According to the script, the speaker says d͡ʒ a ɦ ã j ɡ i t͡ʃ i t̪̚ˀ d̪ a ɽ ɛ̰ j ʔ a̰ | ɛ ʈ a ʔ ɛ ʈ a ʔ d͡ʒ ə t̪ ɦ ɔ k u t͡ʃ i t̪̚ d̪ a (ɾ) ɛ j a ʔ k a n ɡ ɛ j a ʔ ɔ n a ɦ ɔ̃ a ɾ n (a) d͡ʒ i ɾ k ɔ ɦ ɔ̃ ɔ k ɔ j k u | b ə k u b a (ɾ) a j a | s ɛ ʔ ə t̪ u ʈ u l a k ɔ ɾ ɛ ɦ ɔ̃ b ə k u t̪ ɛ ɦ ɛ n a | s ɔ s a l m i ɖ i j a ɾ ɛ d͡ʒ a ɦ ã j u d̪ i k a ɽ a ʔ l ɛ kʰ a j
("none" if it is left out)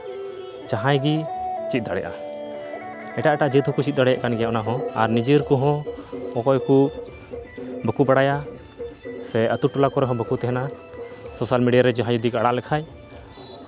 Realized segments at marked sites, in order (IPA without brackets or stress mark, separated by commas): ɽ, i, ɽ